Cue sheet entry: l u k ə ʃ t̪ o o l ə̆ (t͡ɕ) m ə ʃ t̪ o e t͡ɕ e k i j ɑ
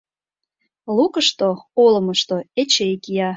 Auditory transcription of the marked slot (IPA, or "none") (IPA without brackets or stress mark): none